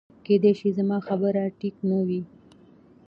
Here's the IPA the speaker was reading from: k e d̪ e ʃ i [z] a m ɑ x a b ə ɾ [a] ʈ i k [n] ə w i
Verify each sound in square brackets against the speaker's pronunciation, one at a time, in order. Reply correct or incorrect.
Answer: correct, correct, correct

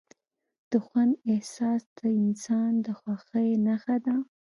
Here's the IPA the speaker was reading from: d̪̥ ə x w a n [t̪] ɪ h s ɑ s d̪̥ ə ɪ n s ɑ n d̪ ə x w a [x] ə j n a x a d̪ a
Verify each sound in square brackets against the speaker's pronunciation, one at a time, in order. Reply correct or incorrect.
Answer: incorrect: d̪, correct

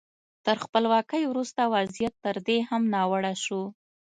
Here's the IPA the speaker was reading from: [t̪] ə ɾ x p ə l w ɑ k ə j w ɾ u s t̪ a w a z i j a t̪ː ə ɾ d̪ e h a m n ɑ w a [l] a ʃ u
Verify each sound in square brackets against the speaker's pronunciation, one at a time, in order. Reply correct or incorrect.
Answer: correct, incorrect: ɽ

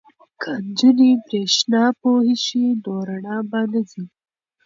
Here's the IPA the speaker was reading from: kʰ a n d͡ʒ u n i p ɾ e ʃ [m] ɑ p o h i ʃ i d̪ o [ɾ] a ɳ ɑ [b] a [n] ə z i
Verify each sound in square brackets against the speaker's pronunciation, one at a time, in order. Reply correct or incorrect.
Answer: incorrect: n, correct, correct, correct

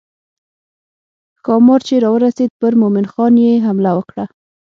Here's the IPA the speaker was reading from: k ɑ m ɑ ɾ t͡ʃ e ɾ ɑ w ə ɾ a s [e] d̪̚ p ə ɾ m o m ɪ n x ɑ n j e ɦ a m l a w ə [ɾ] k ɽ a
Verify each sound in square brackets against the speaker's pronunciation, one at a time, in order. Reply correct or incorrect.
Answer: correct, incorrect: none

